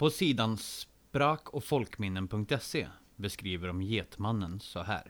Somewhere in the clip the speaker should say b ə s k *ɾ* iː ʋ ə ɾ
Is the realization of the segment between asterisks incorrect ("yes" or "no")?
no